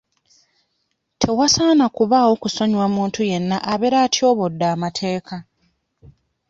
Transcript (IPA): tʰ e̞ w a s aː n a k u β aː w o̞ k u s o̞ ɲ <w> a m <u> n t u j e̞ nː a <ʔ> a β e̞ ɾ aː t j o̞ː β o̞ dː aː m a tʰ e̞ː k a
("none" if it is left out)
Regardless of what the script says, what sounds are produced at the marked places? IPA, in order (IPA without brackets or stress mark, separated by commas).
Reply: w, uː, ʔ